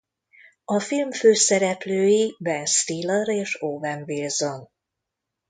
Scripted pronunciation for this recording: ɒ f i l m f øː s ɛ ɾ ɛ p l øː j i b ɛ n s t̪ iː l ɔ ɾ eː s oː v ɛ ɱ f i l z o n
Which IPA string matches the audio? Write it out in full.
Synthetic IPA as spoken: ɒ f i l m f øː s ɛ ɾ ɛ p l øː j i b ɛ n s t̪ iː l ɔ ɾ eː ʃ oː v ɛ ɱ v i l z o n

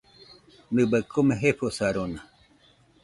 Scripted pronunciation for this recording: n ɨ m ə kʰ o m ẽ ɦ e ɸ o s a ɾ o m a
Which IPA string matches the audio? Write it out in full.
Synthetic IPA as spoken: n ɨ b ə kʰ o m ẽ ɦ e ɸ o s a ɾ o n a

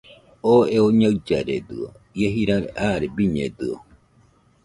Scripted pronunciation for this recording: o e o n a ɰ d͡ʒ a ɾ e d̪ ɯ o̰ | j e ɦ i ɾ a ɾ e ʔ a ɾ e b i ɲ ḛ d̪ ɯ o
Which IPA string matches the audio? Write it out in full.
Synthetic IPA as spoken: o e o ɲ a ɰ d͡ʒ a ɾ e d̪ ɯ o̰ | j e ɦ i ɾ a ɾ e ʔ a ɾ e b i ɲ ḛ d̪ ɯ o

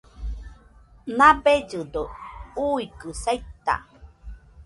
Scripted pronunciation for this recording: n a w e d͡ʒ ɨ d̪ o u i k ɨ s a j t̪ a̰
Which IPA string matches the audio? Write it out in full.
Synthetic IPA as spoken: n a b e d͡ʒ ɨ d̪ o u i k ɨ s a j t̪ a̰

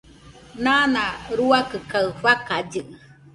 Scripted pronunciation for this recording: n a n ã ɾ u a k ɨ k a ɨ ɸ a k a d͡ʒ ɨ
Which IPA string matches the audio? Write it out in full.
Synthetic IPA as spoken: n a n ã ɾ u a k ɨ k a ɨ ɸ a k a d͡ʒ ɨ

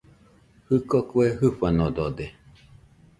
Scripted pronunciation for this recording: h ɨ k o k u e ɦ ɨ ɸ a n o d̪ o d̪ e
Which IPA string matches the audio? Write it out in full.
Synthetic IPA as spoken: h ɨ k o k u e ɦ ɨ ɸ a n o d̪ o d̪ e

